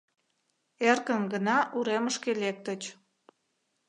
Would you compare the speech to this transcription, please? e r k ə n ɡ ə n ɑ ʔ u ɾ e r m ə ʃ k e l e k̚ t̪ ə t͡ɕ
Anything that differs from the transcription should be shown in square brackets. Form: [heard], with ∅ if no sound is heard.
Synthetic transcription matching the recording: e r k ə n ɡ ə n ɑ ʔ u ɾ e [∅] m ə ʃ k e l e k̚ t̪ ə t͡ɕ